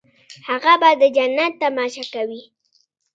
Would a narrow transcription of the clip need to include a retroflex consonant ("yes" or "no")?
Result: no